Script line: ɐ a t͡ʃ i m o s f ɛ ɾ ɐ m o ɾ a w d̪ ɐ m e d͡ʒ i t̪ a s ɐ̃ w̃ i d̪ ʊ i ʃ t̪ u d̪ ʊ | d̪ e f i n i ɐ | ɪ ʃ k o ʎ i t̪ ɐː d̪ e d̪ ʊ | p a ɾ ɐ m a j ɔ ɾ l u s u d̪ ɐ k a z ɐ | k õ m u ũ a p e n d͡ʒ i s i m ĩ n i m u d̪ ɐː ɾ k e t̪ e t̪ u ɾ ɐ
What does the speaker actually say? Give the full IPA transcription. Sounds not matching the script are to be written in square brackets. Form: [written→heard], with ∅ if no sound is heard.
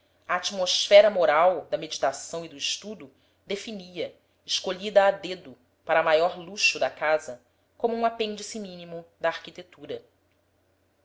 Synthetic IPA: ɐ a t͡ʃ i m o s f ɛ ɾ ɐ m o ɾ a w d̪ ɐ m e d͡ʒ i t̪ a s ɐ̃ w̃ i d̪ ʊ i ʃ t̪ u d̪ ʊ | d̪ e f i n i ɐ | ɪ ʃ k o ʎ i [t̪→d̪] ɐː d̪ e d̪ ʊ | p a ɾ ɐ m a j ɔ ɾ l u [s→ʃ] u d̪ ɐ k a z ɐ | k õ m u ũ a p [e→ẽ] n d͡ʒ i s i m ĩ n i m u d̪ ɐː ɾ k [e→i] t̪ e t̪ u ɾ ɐ